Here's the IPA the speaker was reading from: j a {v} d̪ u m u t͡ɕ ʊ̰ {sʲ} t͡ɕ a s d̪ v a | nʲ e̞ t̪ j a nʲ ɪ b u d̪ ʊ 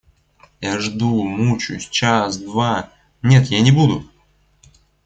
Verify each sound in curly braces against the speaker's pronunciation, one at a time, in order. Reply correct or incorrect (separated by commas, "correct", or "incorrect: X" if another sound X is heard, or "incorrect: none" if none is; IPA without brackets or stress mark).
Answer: incorrect: ʐ, correct